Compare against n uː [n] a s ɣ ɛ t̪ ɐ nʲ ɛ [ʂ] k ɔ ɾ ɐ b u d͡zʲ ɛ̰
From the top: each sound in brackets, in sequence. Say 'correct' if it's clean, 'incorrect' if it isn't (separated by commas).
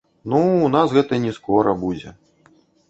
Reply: correct, incorrect